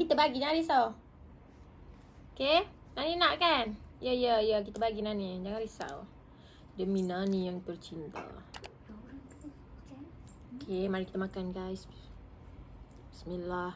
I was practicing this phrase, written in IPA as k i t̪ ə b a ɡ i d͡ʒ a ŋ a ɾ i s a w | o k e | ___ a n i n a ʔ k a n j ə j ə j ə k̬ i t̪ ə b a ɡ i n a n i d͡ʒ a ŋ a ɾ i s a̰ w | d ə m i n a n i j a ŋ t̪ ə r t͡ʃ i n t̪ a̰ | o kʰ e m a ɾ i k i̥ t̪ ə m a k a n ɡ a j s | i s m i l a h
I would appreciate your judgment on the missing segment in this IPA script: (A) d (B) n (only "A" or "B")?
B